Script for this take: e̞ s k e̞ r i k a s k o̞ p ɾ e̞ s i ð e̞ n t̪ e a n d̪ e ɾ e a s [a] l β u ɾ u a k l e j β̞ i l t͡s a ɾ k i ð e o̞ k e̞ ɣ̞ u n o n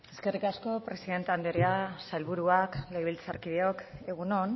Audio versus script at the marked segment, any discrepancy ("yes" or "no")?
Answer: no